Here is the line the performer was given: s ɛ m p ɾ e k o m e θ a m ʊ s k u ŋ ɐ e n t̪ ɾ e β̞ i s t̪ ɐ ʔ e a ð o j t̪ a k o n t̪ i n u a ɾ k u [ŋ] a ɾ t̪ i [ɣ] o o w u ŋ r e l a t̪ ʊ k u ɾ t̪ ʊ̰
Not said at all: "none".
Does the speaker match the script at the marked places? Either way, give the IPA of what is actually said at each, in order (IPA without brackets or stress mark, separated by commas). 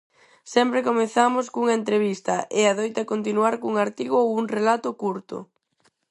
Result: ŋ, ɣ